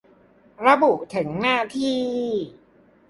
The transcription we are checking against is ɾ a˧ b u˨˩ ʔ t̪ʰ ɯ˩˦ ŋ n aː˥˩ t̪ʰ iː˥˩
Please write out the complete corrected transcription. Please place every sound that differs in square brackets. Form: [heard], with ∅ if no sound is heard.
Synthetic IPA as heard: ɾ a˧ b u˨˩ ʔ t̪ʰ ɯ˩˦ ŋ n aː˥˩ t̪ʰ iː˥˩